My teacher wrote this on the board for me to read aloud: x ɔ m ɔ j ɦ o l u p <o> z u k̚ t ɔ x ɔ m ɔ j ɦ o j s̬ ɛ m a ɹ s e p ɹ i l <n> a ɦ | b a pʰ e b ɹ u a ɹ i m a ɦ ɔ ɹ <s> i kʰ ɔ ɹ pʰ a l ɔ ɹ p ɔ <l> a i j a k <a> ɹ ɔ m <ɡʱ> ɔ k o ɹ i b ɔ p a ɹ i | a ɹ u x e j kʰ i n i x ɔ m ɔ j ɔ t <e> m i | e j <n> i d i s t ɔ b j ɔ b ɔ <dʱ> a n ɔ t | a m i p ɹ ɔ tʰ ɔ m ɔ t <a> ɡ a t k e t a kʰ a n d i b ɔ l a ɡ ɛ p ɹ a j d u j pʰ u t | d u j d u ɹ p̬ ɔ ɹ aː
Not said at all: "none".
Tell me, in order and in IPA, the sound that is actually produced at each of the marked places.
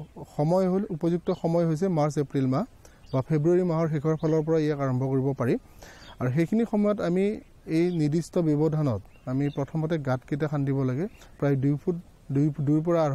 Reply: ɔ, m, x, ɹ, a, bʱ, a, n, dʱ, ɛ

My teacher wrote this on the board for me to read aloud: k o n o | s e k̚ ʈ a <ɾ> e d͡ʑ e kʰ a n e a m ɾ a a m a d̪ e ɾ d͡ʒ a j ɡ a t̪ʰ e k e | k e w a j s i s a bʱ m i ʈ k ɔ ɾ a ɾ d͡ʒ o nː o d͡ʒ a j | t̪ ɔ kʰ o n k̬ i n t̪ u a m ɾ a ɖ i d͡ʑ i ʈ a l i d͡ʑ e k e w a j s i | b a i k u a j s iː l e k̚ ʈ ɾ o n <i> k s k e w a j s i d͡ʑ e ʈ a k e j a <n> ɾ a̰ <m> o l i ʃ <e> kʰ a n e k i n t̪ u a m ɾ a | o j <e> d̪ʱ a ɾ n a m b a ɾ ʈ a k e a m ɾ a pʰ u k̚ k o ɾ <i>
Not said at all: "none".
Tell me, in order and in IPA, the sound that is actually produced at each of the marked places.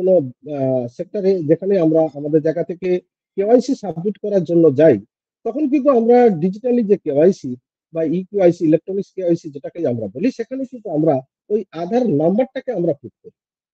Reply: ɾ, i, m, b, e, a, i

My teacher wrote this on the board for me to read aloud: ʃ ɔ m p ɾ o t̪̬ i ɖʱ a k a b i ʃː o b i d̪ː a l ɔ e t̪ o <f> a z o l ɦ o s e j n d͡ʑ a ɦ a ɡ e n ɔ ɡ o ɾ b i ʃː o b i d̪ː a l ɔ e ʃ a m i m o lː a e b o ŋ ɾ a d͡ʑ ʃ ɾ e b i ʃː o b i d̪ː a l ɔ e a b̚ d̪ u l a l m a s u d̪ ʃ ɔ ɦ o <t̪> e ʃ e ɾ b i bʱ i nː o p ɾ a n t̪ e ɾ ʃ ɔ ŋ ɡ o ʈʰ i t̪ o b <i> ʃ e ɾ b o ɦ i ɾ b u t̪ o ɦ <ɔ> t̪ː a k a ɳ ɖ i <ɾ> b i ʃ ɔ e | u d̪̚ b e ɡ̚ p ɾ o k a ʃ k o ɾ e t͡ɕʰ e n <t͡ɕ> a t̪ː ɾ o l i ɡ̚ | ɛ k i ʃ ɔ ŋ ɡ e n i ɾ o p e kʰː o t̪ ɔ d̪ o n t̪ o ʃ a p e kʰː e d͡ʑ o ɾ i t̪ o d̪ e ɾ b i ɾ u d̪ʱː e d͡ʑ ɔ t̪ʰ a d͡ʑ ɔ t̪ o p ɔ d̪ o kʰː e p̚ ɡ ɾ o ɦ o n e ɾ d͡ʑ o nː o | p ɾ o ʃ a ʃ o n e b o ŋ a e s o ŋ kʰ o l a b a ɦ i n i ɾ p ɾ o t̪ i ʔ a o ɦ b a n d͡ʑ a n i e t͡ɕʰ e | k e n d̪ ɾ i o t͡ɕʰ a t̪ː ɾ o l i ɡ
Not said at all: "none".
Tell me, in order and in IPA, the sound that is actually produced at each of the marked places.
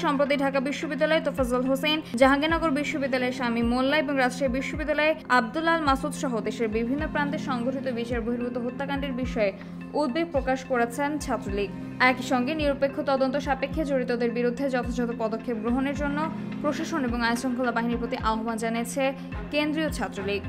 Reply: f, d̪, i, o, ɾ, t͡ɕʰ

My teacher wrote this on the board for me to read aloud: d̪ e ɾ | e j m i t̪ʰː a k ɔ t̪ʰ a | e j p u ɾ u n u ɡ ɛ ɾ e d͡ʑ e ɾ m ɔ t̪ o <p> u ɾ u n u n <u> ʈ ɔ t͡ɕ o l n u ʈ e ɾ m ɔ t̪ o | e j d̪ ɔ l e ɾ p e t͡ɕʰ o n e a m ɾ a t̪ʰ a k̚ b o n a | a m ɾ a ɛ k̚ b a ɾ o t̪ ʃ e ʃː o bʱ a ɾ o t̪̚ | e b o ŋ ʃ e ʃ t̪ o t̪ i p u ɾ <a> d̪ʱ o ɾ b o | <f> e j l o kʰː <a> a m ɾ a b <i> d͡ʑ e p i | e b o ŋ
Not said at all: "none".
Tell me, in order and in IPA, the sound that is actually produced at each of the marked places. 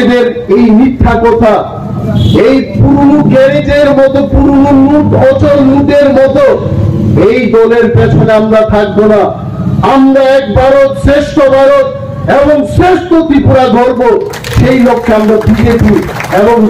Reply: p, u, a, ʃ, e, i

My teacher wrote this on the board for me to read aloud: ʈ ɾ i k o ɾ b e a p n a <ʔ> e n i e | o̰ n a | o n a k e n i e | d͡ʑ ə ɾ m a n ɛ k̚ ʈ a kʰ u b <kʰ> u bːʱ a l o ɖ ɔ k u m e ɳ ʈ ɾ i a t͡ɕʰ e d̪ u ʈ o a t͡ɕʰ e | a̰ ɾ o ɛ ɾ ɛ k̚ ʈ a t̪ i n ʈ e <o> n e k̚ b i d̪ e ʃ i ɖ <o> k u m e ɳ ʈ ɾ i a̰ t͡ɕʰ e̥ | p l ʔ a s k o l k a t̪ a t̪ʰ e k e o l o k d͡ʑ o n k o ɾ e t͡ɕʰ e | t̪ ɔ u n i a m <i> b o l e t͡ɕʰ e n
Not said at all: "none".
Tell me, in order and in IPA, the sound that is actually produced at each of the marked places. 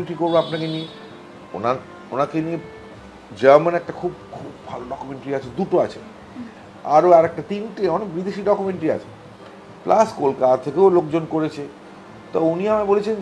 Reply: k, kʰ, ɔ, ɔ, a

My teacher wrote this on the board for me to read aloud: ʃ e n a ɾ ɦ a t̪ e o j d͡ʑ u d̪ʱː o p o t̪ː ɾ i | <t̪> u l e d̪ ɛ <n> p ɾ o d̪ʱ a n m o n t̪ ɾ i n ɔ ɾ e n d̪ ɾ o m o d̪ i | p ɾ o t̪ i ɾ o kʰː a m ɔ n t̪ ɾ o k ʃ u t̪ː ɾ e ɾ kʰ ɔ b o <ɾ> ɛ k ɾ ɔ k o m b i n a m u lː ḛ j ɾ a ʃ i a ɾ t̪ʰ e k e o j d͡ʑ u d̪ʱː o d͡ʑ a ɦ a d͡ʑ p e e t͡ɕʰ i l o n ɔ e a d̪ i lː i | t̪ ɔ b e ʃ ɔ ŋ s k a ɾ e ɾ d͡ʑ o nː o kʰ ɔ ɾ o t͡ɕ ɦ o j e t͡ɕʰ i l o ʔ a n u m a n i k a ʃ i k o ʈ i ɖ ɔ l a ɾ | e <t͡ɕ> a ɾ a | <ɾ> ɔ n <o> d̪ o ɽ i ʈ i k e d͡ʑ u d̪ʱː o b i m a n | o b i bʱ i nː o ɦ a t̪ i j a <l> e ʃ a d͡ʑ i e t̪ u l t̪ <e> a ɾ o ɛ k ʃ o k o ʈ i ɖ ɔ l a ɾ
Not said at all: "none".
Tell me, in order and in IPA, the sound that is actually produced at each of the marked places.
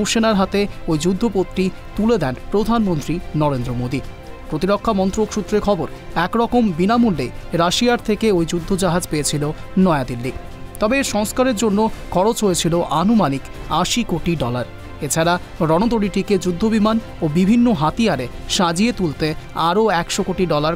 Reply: t̪, n, ɾ, t͡ɕʰ, ɾ, o, ɾ, e

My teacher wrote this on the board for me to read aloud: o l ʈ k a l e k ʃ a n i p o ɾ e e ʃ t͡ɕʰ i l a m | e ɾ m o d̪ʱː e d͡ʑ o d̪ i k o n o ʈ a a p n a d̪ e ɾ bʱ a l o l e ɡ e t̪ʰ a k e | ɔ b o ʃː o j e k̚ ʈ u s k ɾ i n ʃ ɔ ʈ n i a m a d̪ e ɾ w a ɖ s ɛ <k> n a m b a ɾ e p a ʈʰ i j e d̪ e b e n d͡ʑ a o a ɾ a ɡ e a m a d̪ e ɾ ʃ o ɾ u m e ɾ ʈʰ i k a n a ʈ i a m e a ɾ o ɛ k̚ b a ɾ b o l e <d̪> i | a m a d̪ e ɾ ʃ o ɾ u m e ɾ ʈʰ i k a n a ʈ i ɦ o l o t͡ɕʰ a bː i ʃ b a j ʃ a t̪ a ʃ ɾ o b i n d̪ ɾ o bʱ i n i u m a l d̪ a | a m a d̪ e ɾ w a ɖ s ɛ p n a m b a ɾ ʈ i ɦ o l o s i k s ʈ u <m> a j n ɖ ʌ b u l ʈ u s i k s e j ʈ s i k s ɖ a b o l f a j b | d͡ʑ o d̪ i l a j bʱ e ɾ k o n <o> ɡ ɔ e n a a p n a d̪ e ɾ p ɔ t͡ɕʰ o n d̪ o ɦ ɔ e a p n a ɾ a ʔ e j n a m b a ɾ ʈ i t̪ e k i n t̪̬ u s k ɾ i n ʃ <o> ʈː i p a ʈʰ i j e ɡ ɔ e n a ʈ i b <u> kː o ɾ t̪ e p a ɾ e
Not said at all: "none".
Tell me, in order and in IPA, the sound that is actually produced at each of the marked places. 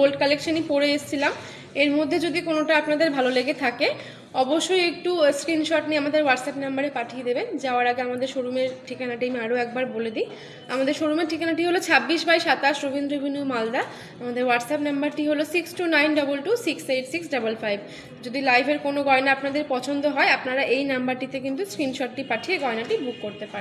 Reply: p, d̪, n, o, ɔ, u

